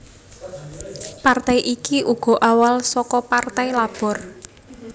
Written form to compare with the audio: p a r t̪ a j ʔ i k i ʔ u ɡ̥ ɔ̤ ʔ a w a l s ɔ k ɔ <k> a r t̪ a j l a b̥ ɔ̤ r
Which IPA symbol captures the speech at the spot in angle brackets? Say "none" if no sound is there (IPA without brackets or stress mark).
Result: p